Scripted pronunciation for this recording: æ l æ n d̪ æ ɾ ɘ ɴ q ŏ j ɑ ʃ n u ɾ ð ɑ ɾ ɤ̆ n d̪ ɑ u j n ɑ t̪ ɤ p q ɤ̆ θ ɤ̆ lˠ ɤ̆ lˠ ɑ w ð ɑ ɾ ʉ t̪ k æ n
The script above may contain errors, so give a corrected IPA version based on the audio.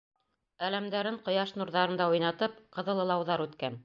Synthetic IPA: æ l æ m d̪ æ ɾ ɘ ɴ q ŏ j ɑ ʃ n u ɾ ð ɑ ɾ ɤ̆ n d̪ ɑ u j n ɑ t̪ ɤ p q ɤ̆ ð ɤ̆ lˠ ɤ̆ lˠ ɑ w ð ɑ ɾ ʉ t̪ k æ n